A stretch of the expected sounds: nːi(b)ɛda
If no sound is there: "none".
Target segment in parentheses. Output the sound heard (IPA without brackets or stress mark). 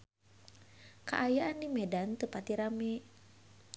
m